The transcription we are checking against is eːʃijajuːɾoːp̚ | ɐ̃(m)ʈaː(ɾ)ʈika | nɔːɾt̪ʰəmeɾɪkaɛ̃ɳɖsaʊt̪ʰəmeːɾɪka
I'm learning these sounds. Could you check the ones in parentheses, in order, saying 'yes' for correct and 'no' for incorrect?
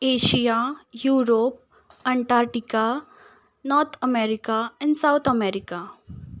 no, yes

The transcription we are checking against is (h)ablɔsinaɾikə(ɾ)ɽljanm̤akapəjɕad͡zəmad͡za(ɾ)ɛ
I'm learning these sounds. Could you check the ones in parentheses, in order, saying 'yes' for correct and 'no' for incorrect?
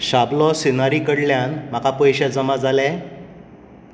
no, no, no

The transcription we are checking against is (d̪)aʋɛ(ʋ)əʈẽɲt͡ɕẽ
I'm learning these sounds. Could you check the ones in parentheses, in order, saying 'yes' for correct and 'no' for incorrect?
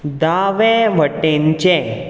yes, yes

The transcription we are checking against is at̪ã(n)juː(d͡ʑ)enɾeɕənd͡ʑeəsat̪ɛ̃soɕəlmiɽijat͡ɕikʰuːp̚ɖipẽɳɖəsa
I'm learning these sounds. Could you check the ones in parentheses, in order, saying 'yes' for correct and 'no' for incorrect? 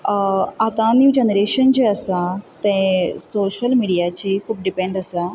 yes, yes

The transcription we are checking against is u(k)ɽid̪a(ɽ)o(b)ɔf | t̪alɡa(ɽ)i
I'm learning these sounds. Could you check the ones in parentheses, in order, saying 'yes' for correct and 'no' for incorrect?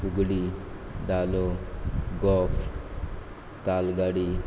no, no, no, yes

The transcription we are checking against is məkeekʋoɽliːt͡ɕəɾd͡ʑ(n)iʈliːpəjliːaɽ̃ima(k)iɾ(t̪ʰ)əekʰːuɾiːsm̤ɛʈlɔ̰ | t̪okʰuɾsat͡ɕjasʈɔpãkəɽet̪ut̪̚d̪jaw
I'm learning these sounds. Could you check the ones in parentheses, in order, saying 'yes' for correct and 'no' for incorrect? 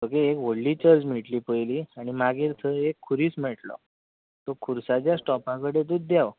no, no, yes

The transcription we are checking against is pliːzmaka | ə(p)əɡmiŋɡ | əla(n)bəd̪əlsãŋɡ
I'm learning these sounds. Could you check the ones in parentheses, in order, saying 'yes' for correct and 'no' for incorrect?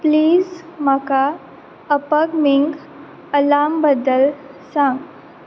yes, no

